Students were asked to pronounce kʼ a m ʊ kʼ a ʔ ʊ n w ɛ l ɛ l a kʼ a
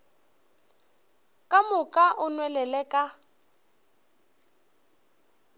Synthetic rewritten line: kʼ a m ʊ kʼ a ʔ ʊ n w ɛ l ɛ l ɛ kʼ a